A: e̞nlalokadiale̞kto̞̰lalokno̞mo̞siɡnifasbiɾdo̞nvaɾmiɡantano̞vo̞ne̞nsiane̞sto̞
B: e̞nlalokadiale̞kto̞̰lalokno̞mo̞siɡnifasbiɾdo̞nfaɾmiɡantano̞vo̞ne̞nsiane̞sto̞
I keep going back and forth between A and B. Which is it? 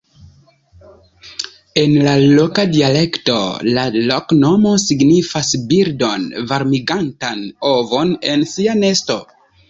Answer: A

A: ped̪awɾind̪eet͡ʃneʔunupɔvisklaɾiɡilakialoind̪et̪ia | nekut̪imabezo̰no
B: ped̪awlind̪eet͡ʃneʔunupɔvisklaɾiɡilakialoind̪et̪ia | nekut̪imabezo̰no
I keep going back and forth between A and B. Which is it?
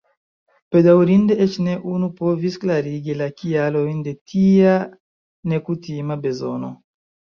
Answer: A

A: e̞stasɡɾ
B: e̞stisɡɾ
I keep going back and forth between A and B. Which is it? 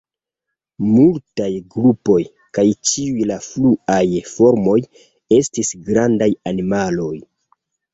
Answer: B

